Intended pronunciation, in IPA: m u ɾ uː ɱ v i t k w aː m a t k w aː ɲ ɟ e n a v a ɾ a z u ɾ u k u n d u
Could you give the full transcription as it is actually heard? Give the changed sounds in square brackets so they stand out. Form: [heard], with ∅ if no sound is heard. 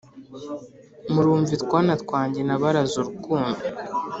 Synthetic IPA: m u ɾ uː ɱ v i t k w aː [n] a t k w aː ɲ ɟ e n a [β] a ɾ a z u ɾ u k [uː] n d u